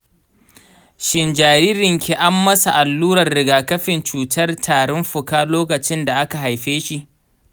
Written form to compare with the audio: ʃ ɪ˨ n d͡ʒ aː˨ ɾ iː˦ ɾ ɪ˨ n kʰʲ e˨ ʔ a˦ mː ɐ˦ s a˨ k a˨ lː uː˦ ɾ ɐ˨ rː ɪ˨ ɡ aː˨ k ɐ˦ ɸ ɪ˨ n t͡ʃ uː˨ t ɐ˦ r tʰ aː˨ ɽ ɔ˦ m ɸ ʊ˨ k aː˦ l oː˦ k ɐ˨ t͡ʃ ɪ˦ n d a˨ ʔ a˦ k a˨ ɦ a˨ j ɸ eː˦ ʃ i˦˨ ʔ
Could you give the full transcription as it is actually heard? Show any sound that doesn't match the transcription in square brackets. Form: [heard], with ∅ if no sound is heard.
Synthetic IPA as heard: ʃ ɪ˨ n d͡ʒ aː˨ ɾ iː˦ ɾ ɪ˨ [ŋ] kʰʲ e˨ ʔ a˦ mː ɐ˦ s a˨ [ʔ] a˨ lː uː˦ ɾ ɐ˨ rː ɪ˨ ɡ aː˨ k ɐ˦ ɸ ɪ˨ n t͡ʃ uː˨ t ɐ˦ r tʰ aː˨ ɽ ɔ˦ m ɸ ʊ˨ k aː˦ l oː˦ k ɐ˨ t͡ʃ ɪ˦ n d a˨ ʔ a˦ k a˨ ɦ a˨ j ɸ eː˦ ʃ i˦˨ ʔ